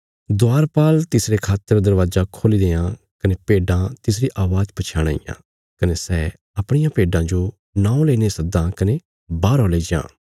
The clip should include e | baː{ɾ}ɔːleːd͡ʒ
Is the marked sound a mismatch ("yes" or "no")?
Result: no